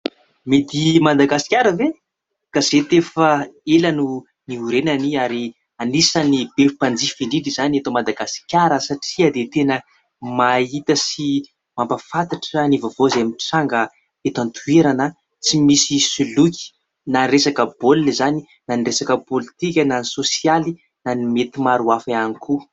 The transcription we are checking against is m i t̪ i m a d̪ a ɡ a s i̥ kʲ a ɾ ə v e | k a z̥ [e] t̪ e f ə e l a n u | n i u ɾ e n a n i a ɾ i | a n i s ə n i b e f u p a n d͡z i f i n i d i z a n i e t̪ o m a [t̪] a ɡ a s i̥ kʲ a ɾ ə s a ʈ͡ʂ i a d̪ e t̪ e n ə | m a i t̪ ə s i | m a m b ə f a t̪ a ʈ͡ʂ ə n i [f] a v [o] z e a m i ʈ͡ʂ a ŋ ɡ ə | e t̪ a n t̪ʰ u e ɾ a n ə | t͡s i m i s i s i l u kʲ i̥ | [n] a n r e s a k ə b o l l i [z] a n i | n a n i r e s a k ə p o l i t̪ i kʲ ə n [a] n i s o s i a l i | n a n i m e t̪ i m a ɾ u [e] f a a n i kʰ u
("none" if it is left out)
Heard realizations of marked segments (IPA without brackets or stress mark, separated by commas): e, d̪, v, o, n, z, a, a